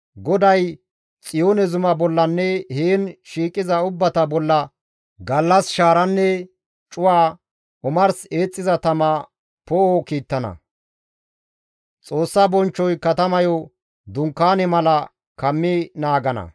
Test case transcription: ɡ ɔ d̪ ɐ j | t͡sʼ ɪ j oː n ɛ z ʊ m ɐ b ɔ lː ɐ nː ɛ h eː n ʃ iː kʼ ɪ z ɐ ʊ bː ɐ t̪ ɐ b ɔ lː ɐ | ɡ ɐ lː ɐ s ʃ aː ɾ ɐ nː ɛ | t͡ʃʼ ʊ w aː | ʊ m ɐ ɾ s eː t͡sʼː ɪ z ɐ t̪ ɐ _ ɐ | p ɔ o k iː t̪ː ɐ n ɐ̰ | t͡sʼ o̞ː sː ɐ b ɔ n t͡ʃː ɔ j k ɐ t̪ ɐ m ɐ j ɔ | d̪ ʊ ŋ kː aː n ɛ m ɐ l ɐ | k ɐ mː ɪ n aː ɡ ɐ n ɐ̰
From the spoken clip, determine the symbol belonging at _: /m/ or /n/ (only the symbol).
m